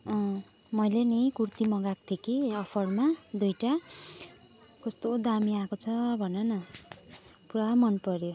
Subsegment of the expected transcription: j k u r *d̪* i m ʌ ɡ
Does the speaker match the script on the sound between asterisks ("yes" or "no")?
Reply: no